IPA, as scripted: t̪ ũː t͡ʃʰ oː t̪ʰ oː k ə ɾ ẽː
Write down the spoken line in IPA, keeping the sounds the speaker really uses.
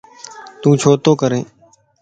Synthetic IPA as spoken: t̪ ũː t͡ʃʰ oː t̪ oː k ə ɾ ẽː